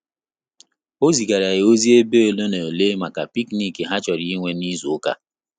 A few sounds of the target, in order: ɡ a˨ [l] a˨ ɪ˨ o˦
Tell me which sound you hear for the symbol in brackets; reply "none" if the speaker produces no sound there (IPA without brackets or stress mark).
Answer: ɾ